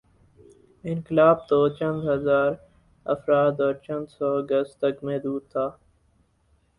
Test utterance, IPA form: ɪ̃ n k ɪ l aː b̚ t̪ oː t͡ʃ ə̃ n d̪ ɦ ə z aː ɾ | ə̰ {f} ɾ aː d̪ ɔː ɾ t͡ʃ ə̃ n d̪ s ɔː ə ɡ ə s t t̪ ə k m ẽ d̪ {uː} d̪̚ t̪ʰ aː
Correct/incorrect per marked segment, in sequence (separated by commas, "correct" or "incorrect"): correct, correct